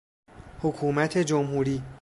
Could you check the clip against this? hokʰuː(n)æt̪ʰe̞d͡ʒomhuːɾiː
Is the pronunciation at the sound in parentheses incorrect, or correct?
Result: incorrect